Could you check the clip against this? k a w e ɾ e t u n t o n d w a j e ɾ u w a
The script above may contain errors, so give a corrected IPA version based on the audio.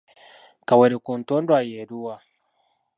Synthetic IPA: k a w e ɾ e k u n t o n d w a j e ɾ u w a